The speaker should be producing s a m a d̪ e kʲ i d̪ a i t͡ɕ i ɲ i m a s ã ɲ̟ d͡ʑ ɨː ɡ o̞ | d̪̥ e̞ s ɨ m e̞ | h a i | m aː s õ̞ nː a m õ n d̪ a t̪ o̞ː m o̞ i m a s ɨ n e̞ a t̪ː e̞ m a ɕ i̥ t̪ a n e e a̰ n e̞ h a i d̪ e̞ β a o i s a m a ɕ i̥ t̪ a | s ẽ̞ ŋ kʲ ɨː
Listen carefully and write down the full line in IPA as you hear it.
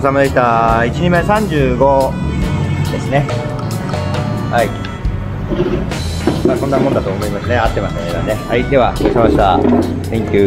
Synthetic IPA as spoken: s a m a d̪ e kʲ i t̪ a i t͡ɕ i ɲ i m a s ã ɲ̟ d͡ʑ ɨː ɡ o̞ | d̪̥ e̞ s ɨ n e̞ | h a i | m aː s õ̞ nː a m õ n d̪ a t̪ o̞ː m o̞ i m a s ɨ n e̞ a t̪ː e̞ m a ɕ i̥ t̪ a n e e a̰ n e̞ h a i d̪ e̞ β a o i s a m a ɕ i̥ t̪ a | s ẽ̞ ŋ kʲ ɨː

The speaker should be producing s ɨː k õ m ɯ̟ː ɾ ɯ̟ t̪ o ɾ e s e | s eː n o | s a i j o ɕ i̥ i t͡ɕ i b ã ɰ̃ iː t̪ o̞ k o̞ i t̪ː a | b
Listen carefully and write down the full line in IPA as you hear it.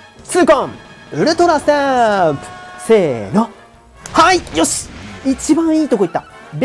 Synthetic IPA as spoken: s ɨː k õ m ɯ̟ ɾ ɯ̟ t̪ o ɾ a s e | s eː n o | h a i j o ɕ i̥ i t͡ɕ i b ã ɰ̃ iː t̪ o̞ k o̞ i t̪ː a | b

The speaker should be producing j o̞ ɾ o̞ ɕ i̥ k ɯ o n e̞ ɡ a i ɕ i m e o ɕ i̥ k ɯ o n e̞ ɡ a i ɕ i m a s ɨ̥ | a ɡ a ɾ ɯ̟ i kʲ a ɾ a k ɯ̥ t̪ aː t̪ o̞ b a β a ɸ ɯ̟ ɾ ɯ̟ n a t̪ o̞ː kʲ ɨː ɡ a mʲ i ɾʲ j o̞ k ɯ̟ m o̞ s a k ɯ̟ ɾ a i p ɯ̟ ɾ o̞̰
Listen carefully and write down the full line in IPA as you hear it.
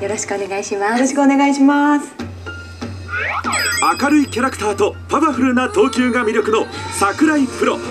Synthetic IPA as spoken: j o̞ ɾ o̞ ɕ i̥ k ɯ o n e̞ ɡ a i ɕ i m a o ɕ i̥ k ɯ o n e̞ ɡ a i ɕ i m a s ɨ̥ | a k a ɾ ɯ̟ i kʲ a ɾ a k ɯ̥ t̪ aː t̪ o̞ p a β a ɸ ɯ̟ ɾ ɯ̟ n a t̪ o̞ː kʲ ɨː ɡ a mʲ i ɾʲ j o̞ k ɯ̟ n o̞ s a k ɯ̟ ɾ a i p ɯ̟ ɾ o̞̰

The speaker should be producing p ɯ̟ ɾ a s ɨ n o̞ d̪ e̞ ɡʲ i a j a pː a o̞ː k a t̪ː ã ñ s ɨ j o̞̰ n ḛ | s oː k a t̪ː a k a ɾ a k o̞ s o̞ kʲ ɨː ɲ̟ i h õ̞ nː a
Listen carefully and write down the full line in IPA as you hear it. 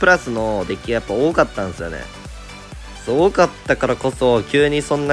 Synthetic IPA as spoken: p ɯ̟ ɾ a s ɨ n o̞ d̪ e̞ kʲ i a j a pː a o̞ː k a t̪ː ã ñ s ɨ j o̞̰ n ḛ | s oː k a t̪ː a k a ɾ a k o̞ s o̞ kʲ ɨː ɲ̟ i s õ̞ nː a

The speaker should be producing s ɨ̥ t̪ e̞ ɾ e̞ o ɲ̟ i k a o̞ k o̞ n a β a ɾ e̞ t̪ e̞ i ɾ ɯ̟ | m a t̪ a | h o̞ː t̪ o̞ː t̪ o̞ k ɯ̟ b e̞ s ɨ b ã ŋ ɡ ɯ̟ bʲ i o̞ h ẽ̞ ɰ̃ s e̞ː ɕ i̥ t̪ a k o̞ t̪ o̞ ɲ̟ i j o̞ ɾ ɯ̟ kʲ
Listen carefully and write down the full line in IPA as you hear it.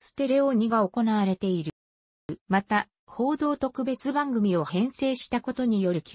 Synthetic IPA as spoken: s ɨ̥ t̪ e̞ ɾ e̞ o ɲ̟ i ɡ a o̞ k o̞ n a β a ɾ e̞ t̪ e̞ i ɾ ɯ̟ | m a t̪ a | h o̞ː d̪ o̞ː t̪ o̞ k ɯ̟ b e̞ t͡s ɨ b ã ŋ ɡ ɯ̟ mʲ i o̞ h ẽ̞ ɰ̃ s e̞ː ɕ i̥ t̪ a k o̞ t̪ o̞ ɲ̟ i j o̞ ɾ ɯ̟ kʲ

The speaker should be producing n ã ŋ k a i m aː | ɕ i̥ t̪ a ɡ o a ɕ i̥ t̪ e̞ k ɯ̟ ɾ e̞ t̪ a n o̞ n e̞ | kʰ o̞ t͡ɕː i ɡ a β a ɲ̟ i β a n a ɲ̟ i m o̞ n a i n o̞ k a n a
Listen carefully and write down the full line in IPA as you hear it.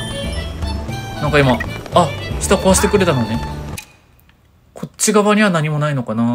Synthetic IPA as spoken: n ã ŋ k a i m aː | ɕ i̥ t̪ a k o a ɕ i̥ t̪ e̞ k ɯ̟ ɾ e̞ t̪ a n o̞ n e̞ | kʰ o̞ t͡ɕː i ɡ a β a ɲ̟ i β a n a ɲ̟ i m o̞ n a i n o̞ k a n a

